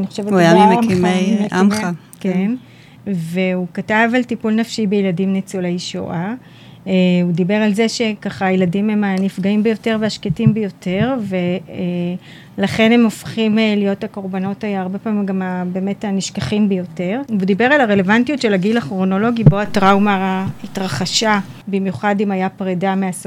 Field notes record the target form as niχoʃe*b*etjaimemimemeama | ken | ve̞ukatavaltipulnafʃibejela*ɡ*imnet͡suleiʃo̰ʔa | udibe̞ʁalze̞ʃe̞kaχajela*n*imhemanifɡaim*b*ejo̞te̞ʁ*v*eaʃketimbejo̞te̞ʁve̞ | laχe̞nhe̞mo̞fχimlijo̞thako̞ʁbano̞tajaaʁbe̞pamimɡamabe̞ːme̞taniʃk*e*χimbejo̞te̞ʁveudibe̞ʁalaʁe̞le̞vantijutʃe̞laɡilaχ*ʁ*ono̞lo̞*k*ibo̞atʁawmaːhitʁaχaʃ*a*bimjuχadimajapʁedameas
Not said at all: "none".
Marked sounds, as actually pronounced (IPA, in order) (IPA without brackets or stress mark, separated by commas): v, d, d, b, v, a, ʁ, ɡ, a